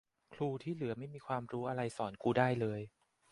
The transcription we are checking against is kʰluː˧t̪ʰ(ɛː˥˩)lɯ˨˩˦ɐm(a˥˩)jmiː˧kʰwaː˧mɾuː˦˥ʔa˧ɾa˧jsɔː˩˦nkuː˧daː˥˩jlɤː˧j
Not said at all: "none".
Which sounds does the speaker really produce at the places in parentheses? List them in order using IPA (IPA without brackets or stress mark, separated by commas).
iː˥˩, a˥˩